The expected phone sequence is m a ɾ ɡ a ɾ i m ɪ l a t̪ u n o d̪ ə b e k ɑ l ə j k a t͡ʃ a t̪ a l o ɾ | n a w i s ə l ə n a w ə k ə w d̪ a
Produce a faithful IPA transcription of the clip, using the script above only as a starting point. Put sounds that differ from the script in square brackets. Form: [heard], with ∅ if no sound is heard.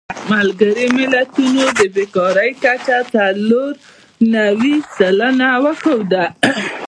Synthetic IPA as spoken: m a [l] ɡ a ɾ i m ɪ l a t̪ u n o d̪ ə b e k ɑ [ɾ] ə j k a t͡ʃ a t̪ a l o ɾ | n a w i s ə l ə n a w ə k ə w d̪ a